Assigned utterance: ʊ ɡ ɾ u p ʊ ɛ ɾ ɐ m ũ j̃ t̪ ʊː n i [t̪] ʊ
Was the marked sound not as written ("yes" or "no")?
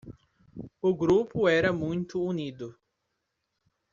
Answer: yes